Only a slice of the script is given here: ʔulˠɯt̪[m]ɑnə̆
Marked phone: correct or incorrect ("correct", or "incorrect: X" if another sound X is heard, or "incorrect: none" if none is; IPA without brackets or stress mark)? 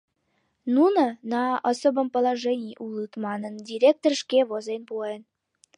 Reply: correct